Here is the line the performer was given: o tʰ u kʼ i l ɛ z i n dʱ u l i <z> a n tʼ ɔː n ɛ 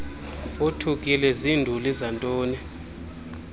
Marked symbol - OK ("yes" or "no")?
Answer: yes